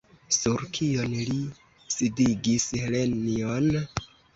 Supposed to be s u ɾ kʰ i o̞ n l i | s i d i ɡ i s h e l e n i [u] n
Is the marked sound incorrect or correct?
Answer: incorrect